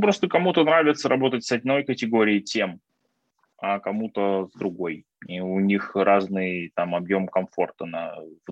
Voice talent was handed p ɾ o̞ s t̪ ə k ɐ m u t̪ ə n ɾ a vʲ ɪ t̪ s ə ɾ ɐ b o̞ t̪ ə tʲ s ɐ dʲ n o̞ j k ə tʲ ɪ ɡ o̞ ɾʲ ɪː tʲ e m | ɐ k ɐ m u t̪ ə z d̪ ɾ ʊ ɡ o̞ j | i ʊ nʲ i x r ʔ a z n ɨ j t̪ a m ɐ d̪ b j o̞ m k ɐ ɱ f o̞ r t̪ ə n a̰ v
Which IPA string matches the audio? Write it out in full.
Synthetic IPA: p ɾ o̞ s t̪ ə k ɐ m u t̪ ə n ɾ a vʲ ɪ t̪ s ə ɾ ɐ b o̞ t̪ ə tʲ s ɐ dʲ n o̞ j k ə tʲ ɪ ɡ o̞ ɾʲ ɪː tʲ e m | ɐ k ɐ m u t̪ ə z d̪ ɾ ʊ ɡ o̞ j | i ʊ nʲ i x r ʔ a z n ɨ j t̪ a m ɐ b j o̞ m k ɐ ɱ f o̞ r t̪ ə n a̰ v